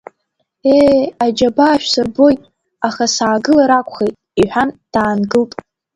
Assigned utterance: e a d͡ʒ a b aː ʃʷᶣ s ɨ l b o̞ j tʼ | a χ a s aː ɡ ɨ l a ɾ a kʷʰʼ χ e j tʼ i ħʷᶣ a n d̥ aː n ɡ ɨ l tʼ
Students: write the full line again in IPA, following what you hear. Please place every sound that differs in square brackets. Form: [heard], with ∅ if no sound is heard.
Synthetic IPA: e a d͡ʒ a b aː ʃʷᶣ s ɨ [r] b o̞ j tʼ | a χ a s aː ɡ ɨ l a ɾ a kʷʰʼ χ e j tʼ i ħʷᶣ a n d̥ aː n ɡ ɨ l tʼ